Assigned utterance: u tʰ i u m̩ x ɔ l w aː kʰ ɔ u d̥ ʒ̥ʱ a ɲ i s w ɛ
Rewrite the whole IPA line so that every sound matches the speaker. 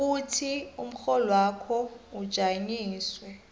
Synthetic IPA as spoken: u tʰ i u m̩ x ɔ l w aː kʰ ɔ u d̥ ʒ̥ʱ a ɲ iː s w ɛ